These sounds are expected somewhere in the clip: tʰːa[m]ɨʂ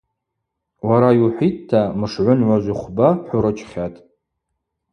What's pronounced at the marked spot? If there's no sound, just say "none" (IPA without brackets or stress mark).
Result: m